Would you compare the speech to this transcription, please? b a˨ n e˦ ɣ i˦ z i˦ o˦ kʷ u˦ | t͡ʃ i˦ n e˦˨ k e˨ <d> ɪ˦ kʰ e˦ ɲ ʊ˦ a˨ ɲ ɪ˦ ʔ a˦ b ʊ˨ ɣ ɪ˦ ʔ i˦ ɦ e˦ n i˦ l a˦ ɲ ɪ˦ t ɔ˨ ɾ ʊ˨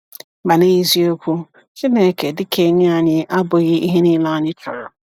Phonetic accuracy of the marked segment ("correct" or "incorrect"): correct